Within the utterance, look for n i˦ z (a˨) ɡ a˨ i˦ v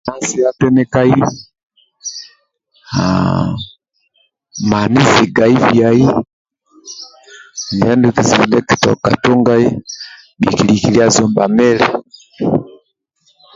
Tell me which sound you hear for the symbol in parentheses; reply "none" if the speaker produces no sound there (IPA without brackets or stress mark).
i˨